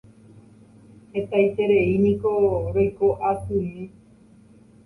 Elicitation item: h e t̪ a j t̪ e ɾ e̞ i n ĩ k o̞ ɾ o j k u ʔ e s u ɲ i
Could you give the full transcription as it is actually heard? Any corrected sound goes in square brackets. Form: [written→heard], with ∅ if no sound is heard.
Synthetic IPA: h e t̪ a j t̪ e ɾ e̞ i n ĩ k o̞ ɾ o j k [u→o] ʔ [e→a] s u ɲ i